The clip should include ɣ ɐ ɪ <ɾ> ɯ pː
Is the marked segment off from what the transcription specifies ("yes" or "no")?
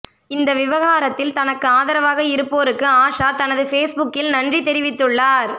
no